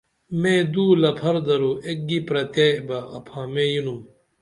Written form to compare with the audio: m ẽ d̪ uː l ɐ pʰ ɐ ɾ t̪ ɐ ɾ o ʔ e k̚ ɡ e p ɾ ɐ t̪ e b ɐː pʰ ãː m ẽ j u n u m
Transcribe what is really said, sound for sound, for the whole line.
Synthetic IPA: m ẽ d̪ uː l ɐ pʰ ɐ ɾ d̪ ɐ ɾ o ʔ e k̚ ɡ i p ɾ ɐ t̪ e b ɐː pʰ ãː m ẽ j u n u m

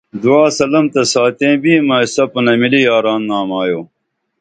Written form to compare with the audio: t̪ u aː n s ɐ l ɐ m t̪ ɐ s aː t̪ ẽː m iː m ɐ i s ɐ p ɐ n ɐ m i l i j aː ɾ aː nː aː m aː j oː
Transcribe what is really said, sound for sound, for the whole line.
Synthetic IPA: d̪ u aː s ɐ l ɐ m t̪ ɐ s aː t̪ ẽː b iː m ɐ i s ɐ p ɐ n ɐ m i l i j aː ɾ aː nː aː m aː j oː

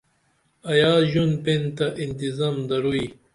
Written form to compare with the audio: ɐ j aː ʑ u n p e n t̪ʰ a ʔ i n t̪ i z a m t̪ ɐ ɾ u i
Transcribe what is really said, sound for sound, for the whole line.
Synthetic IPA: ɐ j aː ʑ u n p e n t̪ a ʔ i n t̪ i z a m d̪ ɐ ɾ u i

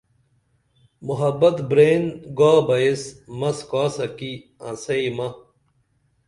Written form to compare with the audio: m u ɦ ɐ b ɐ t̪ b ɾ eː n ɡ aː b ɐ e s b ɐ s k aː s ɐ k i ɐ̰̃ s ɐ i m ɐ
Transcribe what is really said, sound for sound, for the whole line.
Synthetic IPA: m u ɦ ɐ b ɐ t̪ b ɾ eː n ɡ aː b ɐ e s m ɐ s k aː s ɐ k i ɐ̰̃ s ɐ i m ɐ

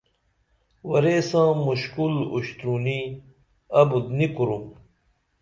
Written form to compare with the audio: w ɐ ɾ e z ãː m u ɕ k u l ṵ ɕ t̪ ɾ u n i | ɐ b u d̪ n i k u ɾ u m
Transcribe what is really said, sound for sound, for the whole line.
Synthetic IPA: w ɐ ɾ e s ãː m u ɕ k u l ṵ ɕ t̪ ɾ u n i | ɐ b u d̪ n i k u ɾ u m

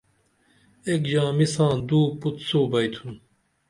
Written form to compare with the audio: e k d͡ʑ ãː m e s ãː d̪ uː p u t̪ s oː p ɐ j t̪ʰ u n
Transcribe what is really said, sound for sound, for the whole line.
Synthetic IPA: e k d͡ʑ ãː m i s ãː d̪ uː p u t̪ s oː b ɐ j t̪ʰ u n

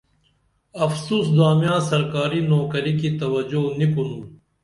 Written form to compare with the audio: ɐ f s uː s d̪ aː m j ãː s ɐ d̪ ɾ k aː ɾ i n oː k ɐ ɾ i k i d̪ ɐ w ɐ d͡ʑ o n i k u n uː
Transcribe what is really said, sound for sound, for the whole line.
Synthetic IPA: ɐ f s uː s d̪ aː m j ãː s ɐ ɾ k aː ɾ i n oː k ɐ ɾ i k i t̪ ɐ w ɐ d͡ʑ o n i k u n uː

